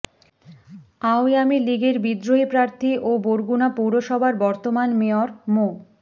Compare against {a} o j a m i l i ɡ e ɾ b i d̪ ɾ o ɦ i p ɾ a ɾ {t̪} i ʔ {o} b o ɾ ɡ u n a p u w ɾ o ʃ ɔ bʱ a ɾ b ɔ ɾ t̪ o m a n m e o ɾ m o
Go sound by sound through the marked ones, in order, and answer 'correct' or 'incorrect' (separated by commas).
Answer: correct, incorrect, correct